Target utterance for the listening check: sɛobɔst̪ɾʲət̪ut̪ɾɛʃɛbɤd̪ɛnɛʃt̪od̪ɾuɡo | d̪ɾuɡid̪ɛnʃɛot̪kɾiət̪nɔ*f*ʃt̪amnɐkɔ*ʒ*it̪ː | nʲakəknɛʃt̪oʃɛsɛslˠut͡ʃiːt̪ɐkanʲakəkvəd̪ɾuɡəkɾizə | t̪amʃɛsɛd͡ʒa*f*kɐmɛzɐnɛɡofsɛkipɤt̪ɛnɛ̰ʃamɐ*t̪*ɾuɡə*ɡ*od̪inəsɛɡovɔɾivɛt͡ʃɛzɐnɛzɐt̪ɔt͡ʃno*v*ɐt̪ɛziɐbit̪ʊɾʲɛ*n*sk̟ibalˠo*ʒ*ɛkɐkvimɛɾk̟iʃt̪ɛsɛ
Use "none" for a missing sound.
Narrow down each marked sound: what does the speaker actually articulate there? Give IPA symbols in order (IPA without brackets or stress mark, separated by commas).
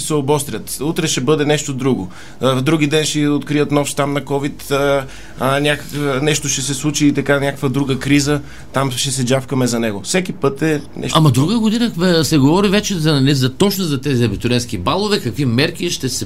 f, v, f, d̪, ɡ, z, n, v